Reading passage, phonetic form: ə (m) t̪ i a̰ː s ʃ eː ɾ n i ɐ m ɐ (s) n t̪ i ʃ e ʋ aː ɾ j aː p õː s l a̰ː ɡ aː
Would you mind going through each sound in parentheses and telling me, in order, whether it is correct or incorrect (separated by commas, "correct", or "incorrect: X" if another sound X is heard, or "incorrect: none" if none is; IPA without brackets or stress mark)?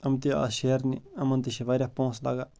correct, incorrect: none